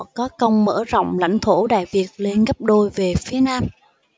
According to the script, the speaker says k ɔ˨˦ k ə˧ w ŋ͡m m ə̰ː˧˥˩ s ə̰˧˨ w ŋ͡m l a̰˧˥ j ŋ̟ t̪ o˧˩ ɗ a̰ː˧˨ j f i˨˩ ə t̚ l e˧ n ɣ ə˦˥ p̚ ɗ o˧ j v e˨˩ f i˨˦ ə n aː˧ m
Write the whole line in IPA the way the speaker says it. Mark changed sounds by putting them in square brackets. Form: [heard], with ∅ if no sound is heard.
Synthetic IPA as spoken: k ɔ˨˦ k ə˧ w ŋ͡m m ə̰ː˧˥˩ [z] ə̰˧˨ w ŋ͡m l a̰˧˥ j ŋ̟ [t̪ʰ] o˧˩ ɗ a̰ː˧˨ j [v] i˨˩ ə t̚ l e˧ n ɣ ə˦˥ p̚ ɗ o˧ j v e˨˩ f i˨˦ ə n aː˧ m